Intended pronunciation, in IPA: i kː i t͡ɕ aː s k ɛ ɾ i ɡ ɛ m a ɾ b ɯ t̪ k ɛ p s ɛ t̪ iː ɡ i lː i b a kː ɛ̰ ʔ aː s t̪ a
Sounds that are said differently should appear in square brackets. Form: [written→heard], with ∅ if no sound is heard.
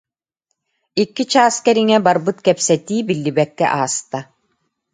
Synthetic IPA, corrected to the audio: i kː i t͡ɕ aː s k ɛ ɾ i [ɡ→ŋ] ɛ [m→b] a ɾ b ɯ t̪ k ɛ p s ɛ t̪ iː [ɡ→b] i lː i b [a→ɛ] kː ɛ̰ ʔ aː s t̪ a